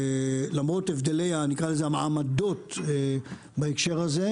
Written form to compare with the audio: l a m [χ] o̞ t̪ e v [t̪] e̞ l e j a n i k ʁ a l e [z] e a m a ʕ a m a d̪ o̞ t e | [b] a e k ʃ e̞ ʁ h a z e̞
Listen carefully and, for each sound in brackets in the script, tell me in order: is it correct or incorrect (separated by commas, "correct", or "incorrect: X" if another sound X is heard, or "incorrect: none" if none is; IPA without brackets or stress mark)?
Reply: incorrect: ʁ, incorrect: d̪, correct, correct